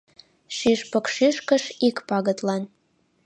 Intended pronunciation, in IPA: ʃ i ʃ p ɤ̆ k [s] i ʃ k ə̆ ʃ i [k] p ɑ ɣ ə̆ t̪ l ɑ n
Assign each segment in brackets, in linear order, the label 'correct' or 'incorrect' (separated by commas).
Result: incorrect, correct